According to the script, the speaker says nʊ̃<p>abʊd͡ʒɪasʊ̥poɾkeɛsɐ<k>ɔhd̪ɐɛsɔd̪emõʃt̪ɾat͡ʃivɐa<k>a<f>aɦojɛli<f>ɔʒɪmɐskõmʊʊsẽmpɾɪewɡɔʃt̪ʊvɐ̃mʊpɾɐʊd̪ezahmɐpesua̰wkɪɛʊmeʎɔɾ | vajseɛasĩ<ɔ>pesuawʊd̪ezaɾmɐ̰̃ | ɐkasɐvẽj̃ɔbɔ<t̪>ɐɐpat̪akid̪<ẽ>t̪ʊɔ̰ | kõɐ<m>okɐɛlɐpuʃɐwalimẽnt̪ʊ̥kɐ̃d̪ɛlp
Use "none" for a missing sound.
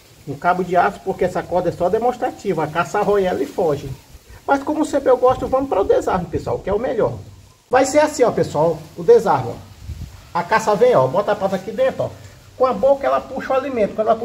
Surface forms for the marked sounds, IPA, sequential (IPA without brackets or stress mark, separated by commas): k, k, k, s, f, ɔ, t̪, ẽ, b